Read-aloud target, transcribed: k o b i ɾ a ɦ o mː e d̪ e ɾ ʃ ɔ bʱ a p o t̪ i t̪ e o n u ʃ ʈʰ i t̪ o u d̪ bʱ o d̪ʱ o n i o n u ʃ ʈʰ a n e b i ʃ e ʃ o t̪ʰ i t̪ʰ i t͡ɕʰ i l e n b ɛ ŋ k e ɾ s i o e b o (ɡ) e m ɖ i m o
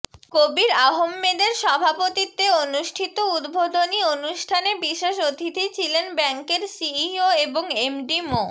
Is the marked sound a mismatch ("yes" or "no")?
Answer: yes